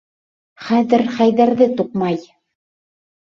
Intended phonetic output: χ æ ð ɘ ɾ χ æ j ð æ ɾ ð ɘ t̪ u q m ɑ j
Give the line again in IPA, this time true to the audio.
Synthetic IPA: χ æ ð ɘ ɾ χ æ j ð æ ɾ ð ɘ t̪ u q m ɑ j

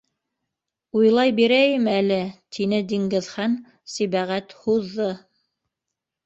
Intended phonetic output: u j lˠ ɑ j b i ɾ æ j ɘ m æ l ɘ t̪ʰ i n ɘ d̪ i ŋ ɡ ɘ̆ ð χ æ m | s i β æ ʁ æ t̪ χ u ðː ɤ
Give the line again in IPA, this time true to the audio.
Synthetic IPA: u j lˠ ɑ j b i ɾ æ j ɘ m æ l ɘ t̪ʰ i n ɘ d̪ i ŋ ɡ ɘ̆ ð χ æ n | s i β æ ʁ æ t̪ h u ðː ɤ

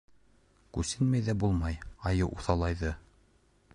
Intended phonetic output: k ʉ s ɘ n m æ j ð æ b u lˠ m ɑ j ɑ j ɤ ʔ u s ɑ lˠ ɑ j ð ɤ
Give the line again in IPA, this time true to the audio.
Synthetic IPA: k ʉ s ɘ n m æ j ð æ b u lˠ m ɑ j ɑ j ɤ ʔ u θ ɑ lˠ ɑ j ð ɤ

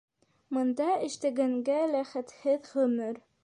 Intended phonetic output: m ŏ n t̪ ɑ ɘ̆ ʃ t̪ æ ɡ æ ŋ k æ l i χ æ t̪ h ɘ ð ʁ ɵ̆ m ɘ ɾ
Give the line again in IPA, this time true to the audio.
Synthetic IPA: m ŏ n d̪ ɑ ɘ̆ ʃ t̪ æ ɡ æ ŋ ɡ æ l æ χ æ t̪ h ɘ ð ʁ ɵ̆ m ɘ ɾ

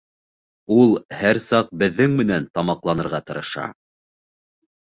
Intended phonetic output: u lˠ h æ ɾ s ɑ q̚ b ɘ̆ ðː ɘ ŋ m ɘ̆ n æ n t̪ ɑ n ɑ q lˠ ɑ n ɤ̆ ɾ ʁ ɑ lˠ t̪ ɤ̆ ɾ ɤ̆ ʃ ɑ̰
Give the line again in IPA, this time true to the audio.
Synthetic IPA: u lˠ h æ ɾ s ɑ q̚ b ɘ̆ ðː ɘ ŋ m ɘ̆ n æ n t̪ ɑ m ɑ q lˠ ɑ n ɤ̆ ɾ ʁ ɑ t̪ ɤ̆ ɾ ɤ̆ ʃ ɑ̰

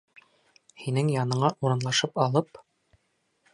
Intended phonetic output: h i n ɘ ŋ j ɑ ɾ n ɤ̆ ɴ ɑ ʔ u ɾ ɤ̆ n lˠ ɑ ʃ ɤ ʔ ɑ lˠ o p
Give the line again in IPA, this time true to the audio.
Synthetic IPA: h i n ɘ ŋ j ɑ n ɤ̆ ɴ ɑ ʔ u ɾ ɤ̆ n lˠ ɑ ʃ ɤ p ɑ lˠ ɤ p

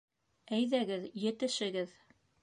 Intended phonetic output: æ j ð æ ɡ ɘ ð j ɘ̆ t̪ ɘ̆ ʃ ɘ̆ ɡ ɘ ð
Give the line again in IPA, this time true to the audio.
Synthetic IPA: æ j ð æ ɡ ɘ ð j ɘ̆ t̪ ɘ̆ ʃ ɘ̆ ɡ ɘ ð

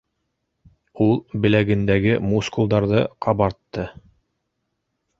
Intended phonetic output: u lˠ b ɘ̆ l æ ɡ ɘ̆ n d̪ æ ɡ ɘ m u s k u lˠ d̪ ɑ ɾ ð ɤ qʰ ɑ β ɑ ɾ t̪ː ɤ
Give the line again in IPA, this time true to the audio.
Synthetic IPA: u lˠ b ɘ̆ l æ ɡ ɘ̆ n d̪ æ ɡ ɘ m u s k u lˠ d̪ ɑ ɾ ð ɤ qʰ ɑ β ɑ ɾ t̪ː ɤ

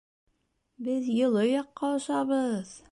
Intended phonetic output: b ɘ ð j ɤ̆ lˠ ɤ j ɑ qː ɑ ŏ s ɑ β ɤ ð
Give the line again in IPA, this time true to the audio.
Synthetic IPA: b ɘ ð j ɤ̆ lˠ ɤ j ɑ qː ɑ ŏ ʃ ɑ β ɤ ð

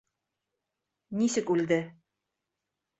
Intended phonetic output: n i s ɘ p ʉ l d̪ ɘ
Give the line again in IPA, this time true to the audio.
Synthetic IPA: n i s ɘ k ʉ l d̪ ɘ

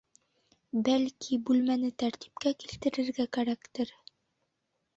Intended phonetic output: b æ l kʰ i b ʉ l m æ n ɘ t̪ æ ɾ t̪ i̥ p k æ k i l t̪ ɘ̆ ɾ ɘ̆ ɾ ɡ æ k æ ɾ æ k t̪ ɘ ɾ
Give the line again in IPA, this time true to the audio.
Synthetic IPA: b æ l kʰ i b ʉ l m æ n ɘ t̪ æ ɾ t̪ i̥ p k æ k i l t̪ ɘ̆ ɾ ɘ̆ ɾ ɡ æ k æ ɾ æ k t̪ ɘ ɾ

